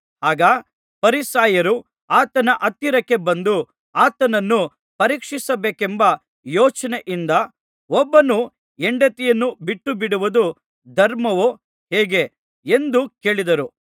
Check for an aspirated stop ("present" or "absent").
absent